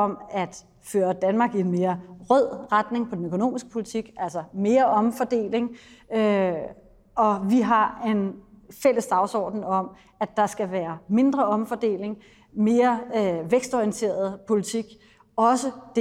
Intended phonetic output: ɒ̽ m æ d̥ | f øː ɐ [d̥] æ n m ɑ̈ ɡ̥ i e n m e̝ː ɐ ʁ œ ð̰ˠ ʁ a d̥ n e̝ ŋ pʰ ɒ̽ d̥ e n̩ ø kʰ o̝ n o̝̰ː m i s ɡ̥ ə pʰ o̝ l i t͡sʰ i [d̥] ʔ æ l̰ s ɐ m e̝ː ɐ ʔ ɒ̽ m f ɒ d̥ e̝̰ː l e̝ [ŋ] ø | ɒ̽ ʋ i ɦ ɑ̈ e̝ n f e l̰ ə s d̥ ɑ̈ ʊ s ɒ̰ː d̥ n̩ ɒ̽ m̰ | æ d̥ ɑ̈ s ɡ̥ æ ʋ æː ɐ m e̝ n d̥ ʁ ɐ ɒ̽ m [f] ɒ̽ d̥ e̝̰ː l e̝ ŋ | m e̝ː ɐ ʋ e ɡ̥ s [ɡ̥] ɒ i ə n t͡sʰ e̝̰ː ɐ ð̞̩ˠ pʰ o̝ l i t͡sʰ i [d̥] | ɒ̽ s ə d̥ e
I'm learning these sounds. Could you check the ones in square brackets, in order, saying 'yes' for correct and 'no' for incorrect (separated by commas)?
yes, no, yes, yes, no, no